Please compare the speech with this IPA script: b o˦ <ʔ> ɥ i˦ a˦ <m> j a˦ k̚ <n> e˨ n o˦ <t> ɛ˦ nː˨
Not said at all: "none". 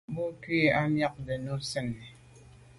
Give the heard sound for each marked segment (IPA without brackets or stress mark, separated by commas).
k, m, d, s